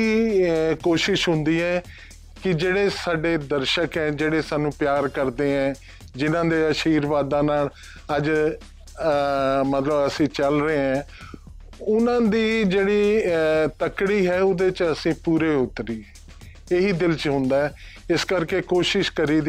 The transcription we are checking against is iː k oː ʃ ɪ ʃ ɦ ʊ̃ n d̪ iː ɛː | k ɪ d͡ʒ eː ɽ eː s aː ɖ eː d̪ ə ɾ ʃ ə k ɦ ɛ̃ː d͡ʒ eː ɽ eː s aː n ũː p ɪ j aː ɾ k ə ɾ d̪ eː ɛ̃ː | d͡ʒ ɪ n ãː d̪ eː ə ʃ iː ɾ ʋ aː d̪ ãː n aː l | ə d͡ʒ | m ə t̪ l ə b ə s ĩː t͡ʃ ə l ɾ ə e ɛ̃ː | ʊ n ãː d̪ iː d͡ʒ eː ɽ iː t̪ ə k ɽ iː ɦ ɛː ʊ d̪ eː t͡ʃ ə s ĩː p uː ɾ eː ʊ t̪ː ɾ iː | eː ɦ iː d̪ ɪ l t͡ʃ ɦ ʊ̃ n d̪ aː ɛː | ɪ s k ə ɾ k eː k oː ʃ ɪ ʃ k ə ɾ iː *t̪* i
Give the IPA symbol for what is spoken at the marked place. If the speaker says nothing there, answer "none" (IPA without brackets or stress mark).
d̪